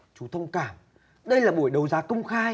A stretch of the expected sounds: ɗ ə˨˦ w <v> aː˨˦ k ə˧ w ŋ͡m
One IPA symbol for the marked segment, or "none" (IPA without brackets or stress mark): z